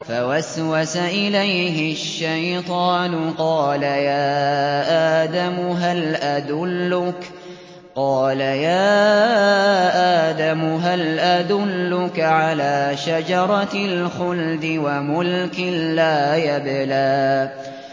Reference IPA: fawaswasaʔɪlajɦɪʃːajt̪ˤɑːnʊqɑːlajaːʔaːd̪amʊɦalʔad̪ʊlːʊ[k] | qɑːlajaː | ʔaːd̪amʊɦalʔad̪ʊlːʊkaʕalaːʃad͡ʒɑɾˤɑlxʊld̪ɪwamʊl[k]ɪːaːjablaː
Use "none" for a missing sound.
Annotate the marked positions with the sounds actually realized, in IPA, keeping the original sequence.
k, k

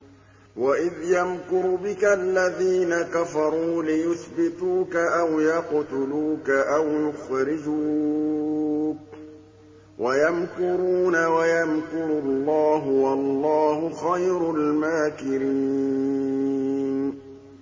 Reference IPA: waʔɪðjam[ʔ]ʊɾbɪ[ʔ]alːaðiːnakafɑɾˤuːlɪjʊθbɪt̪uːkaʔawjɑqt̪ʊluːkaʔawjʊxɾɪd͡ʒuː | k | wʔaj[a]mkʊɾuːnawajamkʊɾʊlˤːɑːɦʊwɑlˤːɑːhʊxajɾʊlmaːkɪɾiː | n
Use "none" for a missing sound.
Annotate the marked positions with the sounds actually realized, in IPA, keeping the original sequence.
k, k, a

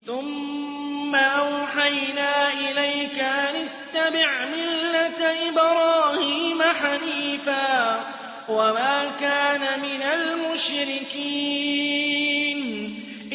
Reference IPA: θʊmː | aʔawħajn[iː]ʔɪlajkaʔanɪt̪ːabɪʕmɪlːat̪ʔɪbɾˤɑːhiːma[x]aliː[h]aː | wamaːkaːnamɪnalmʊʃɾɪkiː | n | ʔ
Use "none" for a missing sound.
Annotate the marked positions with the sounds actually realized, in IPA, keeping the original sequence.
aː, ħ, f

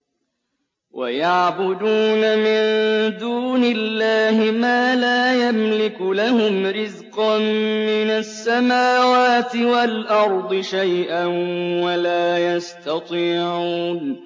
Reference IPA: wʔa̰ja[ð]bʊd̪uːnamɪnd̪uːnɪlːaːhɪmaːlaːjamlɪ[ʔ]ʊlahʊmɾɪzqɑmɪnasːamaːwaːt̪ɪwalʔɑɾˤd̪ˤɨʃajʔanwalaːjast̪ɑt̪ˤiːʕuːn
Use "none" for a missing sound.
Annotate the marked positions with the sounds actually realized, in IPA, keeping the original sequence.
ʕ, k

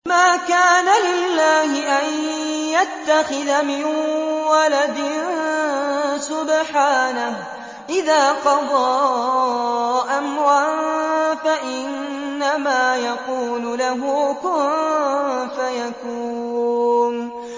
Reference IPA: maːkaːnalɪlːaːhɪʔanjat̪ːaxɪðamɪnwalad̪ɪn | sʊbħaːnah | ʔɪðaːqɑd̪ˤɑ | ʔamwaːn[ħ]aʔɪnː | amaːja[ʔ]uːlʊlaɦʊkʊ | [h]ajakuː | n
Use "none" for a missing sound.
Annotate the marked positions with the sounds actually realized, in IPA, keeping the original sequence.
f, q, f

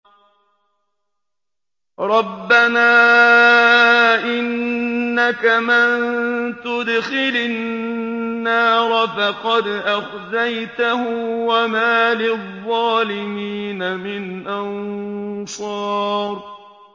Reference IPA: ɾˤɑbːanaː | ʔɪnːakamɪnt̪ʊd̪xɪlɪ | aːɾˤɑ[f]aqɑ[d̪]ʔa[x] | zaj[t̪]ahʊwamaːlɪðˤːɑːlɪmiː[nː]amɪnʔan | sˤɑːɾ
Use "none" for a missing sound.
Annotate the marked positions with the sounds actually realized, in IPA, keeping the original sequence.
f, d̪, x, t̪, n

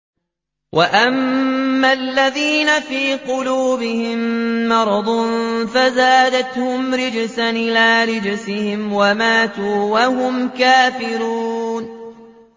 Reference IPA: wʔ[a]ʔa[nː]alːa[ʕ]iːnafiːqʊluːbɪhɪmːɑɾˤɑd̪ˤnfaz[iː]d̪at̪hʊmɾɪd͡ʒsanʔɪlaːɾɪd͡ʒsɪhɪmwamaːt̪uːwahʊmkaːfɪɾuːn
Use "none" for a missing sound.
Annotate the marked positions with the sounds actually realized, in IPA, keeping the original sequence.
a, mː, ð, aː

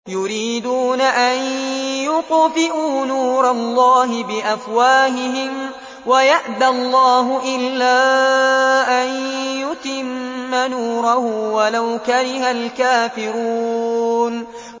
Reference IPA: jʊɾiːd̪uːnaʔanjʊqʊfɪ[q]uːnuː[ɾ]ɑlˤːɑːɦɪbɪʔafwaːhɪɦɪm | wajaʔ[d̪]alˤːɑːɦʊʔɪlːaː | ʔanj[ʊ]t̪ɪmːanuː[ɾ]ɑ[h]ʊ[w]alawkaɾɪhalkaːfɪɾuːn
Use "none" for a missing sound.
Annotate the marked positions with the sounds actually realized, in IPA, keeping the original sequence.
ʔ, ɾ, d̪, ʊ, ɾ, h, w

